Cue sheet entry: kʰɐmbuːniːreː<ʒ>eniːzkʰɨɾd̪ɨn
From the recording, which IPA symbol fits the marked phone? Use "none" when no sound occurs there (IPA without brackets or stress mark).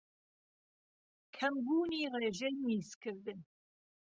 ʒ